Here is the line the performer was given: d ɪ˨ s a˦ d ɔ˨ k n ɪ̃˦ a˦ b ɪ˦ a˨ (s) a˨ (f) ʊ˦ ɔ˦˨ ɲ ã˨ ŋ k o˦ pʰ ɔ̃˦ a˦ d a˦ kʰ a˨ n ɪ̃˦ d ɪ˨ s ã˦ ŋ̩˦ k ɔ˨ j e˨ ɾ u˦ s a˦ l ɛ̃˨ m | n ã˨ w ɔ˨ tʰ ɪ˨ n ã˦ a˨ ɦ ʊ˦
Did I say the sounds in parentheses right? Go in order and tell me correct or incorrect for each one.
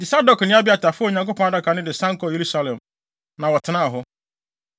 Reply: incorrect, correct

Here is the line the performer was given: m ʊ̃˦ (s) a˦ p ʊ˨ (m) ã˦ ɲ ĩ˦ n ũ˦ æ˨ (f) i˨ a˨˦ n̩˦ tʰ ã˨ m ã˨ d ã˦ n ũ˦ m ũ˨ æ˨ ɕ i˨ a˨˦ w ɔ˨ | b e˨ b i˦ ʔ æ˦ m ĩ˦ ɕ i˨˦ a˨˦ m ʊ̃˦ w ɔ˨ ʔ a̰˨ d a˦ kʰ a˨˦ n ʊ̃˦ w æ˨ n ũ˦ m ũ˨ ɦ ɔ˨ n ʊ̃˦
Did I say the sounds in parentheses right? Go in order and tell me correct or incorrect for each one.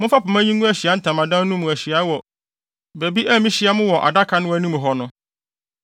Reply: incorrect, correct, incorrect

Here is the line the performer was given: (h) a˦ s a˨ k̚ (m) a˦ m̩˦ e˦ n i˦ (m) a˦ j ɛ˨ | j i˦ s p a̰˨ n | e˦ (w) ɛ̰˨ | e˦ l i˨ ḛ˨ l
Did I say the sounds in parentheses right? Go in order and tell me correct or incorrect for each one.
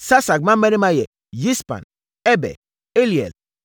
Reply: incorrect, correct, correct, incorrect

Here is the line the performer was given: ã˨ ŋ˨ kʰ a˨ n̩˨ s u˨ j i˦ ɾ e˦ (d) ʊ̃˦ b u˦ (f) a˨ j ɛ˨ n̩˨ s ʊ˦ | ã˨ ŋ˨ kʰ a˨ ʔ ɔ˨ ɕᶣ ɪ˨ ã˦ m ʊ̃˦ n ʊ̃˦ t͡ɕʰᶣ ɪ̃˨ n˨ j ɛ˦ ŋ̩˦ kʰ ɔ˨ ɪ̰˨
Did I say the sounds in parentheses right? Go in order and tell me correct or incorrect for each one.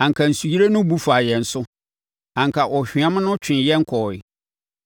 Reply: incorrect, correct

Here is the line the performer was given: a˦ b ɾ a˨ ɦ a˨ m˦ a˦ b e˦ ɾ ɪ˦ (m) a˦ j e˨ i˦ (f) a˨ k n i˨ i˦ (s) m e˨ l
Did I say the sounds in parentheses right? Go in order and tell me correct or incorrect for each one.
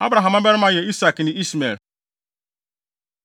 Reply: correct, incorrect, correct

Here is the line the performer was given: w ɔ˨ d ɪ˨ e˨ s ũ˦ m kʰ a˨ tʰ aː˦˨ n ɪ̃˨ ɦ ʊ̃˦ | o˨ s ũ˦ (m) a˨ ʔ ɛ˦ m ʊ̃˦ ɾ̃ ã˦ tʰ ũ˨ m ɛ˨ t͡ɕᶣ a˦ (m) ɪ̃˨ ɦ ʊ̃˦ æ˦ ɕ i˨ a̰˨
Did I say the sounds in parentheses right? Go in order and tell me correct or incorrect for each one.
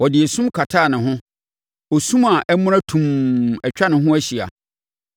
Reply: correct, incorrect

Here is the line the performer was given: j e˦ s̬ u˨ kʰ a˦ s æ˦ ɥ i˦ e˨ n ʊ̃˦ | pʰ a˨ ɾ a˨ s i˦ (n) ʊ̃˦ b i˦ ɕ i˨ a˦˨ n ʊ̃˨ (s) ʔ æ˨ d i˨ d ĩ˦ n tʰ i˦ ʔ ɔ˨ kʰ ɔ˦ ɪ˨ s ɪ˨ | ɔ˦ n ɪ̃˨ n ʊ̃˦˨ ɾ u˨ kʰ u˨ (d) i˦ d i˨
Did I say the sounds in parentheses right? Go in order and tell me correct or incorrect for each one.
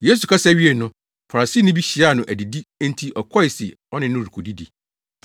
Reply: correct, incorrect, correct

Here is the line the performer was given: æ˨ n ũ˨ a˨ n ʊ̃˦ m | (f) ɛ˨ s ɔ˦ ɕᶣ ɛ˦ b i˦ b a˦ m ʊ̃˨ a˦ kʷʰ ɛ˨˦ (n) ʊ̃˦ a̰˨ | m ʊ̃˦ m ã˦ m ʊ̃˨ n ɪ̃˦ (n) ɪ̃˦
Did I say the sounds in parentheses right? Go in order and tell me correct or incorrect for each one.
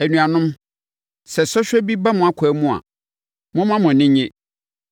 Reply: incorrect, incorrect, incorrect

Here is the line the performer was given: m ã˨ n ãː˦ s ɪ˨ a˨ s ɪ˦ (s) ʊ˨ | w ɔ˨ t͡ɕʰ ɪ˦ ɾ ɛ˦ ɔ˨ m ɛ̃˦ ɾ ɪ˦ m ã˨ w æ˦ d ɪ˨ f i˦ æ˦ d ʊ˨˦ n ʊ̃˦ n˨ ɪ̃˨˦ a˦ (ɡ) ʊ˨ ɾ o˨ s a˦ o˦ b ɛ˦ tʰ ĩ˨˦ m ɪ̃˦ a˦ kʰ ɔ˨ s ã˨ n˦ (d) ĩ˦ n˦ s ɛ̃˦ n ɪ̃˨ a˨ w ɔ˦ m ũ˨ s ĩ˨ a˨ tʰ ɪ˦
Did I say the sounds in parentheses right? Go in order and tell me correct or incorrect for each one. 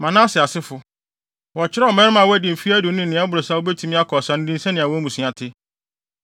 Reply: incorrect, incorrect, correct

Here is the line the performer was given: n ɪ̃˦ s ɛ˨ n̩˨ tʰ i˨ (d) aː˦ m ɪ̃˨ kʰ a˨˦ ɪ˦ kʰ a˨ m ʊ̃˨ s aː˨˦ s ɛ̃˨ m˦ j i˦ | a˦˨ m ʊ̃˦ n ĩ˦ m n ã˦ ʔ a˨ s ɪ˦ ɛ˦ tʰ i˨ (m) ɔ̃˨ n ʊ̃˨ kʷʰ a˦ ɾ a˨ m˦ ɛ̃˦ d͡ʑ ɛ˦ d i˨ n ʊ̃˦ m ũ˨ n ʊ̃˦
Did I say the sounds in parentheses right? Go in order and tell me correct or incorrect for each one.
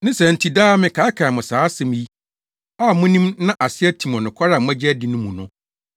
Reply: correct, correct

